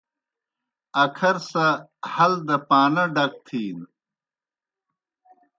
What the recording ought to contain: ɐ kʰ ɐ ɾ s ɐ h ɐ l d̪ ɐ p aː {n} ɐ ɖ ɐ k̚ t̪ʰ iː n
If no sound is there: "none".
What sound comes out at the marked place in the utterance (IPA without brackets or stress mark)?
n